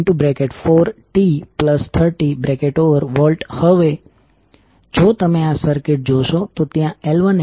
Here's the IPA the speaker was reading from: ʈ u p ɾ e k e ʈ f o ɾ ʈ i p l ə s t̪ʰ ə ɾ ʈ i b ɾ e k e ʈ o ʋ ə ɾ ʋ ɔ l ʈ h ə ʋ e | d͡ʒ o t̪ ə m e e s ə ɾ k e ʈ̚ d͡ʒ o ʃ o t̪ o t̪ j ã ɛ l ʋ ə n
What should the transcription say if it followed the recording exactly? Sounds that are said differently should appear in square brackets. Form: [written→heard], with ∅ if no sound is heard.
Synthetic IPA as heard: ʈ u [p→b] ɾ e k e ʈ f o ɾ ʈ i p l ə s t̪ʰ ə ɾ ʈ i b ɾ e k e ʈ o ʋ ə ɾ ʋ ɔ l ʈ h ə ʋ e | d͡ʒ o t̪ ə m e [e→a] s ə ɾ k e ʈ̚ d͡ʒ o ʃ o t̪ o t̪ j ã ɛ l ʋ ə n

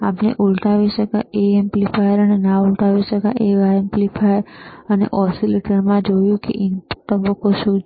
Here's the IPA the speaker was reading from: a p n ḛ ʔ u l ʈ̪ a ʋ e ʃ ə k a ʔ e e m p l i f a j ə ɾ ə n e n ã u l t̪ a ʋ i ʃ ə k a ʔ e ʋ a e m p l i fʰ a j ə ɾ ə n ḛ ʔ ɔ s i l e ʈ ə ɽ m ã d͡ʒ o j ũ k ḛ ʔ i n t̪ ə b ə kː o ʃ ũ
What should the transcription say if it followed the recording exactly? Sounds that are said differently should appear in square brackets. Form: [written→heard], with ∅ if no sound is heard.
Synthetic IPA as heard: a p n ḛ ʔ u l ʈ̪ a ʋ [e→i] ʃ ə k a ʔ e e m p l i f a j ə ɾ ə n e n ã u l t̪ a ʋ i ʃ ə k a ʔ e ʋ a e m p l i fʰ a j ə ɾ ə n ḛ ʔ ɔ s i l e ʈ ə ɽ m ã d͡ʒ o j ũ k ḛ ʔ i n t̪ ə b ə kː o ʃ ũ

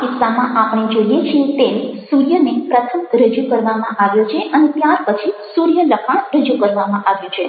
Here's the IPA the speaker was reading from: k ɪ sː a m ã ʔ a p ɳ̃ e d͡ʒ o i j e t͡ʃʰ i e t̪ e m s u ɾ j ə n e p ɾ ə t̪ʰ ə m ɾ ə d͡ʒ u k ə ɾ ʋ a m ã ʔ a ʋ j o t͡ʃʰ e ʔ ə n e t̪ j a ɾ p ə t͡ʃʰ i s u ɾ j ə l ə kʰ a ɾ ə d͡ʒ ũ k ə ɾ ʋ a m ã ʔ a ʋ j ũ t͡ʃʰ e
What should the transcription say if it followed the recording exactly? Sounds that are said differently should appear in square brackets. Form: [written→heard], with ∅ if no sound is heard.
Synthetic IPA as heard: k ɪ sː a m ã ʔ a p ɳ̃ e d͡ʒ o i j e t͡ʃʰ i e t̪ e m s u ɾ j ə n e p ɾ ə t̪ʰ ə m ɾ ə d͡ʒ u k ə ɾ ʋ a m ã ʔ a ʋ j o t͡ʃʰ e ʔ ə n e t̪ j a ɾ p ə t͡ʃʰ i s u ɾ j ə l ə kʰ a ɾ ə d͡ʒ [ũ→u] k ə ɾ ʋ a m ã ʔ a ʋ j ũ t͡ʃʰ e

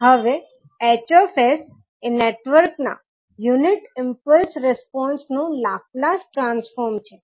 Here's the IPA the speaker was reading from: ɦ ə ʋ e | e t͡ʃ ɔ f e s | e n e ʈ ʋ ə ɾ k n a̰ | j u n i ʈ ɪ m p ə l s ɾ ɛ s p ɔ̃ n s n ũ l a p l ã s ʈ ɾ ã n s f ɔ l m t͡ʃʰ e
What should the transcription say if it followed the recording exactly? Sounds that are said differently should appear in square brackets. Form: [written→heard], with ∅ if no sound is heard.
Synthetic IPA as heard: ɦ ə ʋ e | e t͡ʃ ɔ f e s | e n e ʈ ʋ ə ɾ k n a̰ | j u n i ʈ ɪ m p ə l s ɾ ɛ s p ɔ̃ n s n ũ l a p l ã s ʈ ɾ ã n s f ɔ [l→ɾ] m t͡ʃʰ e

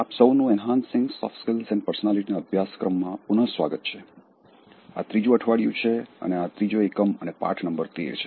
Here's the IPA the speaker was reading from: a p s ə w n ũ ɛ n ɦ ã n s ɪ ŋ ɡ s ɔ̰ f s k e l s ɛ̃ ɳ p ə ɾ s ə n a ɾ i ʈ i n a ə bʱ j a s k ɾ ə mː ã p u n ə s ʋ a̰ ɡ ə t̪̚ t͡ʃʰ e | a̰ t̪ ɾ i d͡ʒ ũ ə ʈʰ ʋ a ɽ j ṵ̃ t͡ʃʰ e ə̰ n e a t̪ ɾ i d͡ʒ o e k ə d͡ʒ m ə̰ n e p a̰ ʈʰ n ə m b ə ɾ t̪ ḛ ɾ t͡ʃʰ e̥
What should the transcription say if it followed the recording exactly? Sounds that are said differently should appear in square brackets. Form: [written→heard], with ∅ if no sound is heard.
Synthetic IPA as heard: a p s ə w n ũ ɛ n ɦ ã n s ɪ ŋ ɡ s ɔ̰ f s k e l s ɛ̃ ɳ p ə ɾ s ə n a [ɾ→l] i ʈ i n a ə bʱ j a s k ɾ ə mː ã p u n ə s ʋ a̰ ɡ ə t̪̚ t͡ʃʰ e | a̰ t̪ ɾ i d͡ʒ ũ ə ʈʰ ʋ a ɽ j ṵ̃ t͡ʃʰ e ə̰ n e a t̪ ɾ i d͡ʒ o e k ə [d͡ʒ→∅] m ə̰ n e p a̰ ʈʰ n ə m b ə ɾ t̪ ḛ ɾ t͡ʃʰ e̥

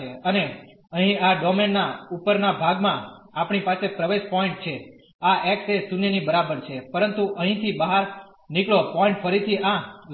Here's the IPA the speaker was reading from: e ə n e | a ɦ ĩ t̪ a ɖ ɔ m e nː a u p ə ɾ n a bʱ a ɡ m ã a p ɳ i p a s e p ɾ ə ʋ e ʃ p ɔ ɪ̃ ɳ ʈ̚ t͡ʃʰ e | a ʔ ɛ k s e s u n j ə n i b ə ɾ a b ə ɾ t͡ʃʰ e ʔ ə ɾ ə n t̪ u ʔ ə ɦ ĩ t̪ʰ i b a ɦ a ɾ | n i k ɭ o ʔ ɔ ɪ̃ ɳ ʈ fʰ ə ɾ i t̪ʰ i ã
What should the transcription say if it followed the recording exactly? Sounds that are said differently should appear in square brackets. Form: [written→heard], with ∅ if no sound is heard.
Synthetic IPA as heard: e ə n e | [a→ə] ɦ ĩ [t̪→∅] a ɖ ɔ m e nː a u p ə ɾ n a bʱ a ɡ m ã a p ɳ i p a s e p ɾ ə ʋ e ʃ p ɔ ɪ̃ ɳ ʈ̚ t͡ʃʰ e | a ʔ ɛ k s e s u n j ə n i b ə ɾ a b ə ɾ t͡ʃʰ e [ʔ→p] ə ɾ ə n t̪ u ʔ ə ɦ ĩ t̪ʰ i b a ɦ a ɾ | n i k ɭ o [ʔ→p] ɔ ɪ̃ ɳ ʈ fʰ ə ɾ i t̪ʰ i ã

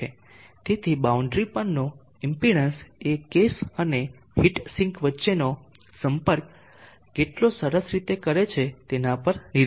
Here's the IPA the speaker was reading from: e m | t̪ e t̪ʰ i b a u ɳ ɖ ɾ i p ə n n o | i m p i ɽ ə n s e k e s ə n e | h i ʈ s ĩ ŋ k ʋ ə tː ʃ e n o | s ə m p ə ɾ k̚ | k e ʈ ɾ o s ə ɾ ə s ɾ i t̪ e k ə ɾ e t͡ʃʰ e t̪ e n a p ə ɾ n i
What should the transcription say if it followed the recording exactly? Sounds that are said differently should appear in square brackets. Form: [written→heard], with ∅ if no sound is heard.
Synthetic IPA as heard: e [m→∅] | t̪ e t̪ʰ i b a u ɳ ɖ ɾ i p ə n n o | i m p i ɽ ə n s e k e s ə n e | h i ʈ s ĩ ŋ k ʋ ə tː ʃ e n o | s ə m p ə ɾ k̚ | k e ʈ [ɾ→l] o s ə ɾ ə s ɾ i t̪ e k ə ɾ e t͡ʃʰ e t̪ e n a p ə ɾ n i

